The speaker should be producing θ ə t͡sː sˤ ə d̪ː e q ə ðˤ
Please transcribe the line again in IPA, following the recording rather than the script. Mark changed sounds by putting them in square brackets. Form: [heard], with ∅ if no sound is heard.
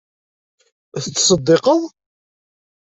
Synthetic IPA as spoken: θ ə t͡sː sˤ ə d̪ː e q ə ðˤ